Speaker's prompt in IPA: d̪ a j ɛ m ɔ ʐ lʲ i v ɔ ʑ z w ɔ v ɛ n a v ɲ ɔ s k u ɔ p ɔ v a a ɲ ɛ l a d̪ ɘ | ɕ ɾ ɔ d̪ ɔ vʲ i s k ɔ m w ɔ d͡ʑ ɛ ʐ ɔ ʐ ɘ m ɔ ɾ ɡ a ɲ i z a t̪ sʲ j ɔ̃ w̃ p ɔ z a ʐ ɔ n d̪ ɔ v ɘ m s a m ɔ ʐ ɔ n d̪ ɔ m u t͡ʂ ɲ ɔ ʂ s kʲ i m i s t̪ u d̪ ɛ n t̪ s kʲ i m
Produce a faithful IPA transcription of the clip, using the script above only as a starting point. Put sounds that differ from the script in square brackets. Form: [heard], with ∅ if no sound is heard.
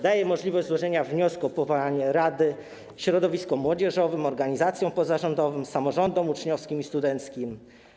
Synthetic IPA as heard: d̪ a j ɛ m ɔ ʐ lʲ i v ɔ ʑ z w ɔ [ʐ] ɛ [ɲ] a v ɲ ɔ s k u ɔ p ɔ v a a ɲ ɛ [ɾ] a d̪ ɘ | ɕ ɾ ɔ d̪ ɔ vʲ i s k ɔ m w ɔ d͡ʑ ɛ ʐ ɔ [v] ɘ m ɔ ɾ ɡ a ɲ i z a t̪ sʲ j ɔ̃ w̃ p ɔ z a ʐ ɔ n d̪ ɔ v ɘ m s a m ɔ ʐ ɔ n d̪ ɔ m u t͡ʂ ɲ ɔ [f] s kʲ i m i s t̪ u d̪ ɛ n t̪ s kʲ i m